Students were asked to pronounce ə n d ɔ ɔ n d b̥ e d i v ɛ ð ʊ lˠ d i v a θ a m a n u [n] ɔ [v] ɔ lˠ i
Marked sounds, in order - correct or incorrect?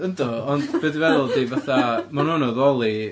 correct, incorrect

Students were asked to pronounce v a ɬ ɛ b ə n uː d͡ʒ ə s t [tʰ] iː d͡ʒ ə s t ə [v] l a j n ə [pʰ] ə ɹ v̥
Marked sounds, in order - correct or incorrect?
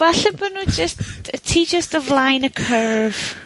correct, correct, incorrect

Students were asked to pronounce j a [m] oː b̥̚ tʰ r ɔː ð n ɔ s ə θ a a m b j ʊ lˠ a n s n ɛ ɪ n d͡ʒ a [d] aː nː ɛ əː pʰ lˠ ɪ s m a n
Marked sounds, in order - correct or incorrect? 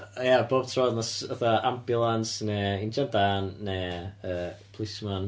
incorrect, correct

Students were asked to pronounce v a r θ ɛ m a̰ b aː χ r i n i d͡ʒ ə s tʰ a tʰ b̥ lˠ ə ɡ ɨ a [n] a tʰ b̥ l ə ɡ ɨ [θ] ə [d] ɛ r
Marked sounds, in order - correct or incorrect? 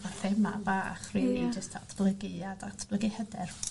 incorrect, incorrect, correct

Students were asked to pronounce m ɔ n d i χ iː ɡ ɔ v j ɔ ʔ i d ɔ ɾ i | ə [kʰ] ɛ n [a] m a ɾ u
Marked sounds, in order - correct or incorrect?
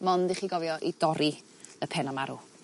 incorrect, correct

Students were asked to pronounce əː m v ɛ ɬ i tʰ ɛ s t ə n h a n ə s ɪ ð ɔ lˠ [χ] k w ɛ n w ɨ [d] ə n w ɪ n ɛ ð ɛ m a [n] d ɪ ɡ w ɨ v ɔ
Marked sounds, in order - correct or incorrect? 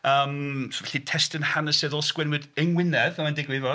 incorrect, correct, correct

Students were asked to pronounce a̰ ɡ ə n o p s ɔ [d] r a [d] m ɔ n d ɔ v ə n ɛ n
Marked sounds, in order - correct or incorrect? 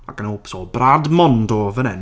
incorrect, correct

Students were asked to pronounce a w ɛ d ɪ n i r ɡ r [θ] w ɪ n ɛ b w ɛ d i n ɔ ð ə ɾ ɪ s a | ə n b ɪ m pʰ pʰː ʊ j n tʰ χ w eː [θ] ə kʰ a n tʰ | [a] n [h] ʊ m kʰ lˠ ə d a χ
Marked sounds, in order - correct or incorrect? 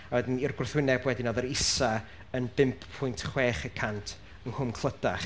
correct, incorrect, incorrect, correct

